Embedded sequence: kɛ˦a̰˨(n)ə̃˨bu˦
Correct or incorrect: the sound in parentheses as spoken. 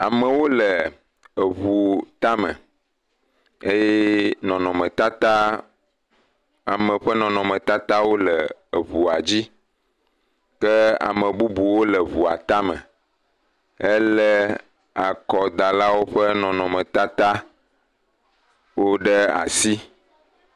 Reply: incorrect: m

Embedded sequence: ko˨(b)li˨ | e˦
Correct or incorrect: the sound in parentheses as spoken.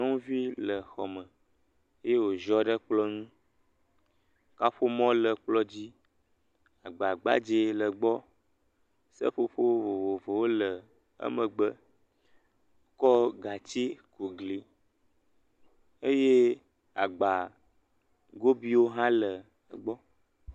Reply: incorrect: ɡ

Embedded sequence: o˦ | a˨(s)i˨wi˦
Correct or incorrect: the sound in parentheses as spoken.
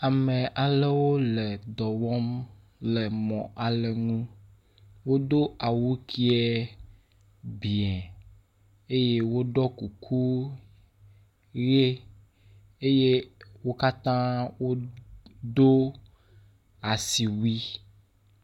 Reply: correct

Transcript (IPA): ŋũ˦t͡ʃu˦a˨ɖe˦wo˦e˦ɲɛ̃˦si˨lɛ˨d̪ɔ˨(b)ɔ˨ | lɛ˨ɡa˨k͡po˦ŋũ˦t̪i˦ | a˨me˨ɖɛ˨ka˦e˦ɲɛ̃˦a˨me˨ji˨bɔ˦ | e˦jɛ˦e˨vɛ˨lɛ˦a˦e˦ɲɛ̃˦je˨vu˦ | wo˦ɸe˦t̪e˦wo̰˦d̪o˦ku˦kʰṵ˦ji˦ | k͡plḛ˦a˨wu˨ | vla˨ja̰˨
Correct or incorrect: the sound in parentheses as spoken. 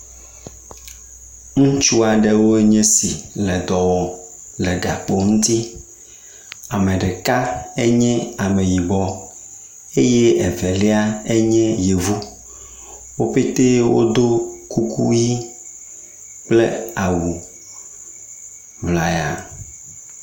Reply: incorrect: w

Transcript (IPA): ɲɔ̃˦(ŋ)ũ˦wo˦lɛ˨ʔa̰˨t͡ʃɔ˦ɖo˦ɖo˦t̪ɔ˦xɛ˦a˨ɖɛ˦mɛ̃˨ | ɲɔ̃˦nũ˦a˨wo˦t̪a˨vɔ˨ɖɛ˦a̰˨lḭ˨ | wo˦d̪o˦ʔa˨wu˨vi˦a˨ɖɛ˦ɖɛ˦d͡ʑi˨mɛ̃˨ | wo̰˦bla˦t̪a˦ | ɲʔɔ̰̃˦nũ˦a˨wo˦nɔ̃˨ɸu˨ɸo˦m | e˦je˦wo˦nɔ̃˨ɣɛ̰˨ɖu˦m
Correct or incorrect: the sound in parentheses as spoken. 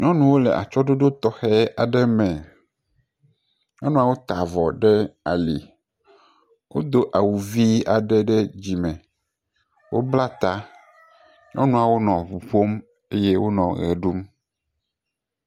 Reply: incorrect: n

